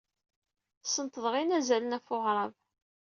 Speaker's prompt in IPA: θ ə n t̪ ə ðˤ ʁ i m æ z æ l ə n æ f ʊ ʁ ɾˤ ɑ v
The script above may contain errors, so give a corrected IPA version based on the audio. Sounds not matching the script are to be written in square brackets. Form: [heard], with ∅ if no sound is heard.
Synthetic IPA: [s] ə n t̪ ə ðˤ ʁ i [n] æ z æ l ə n æ f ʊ ʁ ɾˤ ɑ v